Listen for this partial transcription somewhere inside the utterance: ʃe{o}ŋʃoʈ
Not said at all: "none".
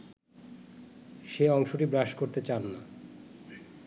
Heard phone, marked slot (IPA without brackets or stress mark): ɔ